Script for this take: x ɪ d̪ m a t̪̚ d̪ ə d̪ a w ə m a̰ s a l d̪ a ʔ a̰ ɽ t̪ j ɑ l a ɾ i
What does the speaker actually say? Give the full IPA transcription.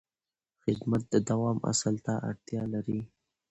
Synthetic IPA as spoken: x ɪ d̪ m a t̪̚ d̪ ə d̪ a w ɑ m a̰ s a l t̪ a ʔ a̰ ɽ t̪ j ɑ l a ɾ i